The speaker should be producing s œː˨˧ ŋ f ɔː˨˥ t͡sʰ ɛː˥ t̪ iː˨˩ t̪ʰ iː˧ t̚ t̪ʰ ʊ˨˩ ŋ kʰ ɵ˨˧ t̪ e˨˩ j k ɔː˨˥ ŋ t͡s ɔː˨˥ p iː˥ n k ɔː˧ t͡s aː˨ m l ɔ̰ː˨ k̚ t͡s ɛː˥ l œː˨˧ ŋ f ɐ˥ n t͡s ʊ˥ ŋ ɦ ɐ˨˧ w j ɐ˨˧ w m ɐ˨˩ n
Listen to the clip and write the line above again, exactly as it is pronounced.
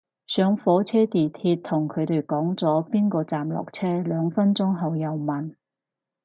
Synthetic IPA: s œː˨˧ ŋ f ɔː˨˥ t͡sʰ ɛː˥ t̪ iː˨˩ t̪ʰ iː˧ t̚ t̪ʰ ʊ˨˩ ŋ kʰ ɵ˨˧ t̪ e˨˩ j k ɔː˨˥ ŋ t͡s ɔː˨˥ p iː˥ n k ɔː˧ t͡s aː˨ m l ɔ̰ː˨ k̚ t͡sʰ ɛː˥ l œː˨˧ ŋ f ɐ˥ n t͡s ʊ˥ ŋ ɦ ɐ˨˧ w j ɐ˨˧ w m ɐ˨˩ n